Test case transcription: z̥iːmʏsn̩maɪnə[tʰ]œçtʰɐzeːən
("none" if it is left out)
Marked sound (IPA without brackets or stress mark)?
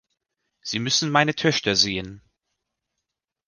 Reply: tʰ